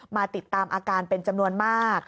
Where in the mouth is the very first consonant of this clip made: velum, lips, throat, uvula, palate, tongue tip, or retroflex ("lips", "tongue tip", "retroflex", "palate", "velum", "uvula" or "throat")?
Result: lips